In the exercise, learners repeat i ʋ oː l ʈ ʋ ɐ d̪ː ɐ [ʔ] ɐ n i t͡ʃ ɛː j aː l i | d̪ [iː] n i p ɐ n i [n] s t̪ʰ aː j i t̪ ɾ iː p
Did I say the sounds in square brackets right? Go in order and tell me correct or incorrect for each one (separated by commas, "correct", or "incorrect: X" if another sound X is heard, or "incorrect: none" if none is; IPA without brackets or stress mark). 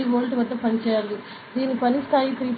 incorrect: p, correct, incorrect: none